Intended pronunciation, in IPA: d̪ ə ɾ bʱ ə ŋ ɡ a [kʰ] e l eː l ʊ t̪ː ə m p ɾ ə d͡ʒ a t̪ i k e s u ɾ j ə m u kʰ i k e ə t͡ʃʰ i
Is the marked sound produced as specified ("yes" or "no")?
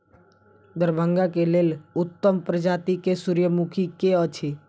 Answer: no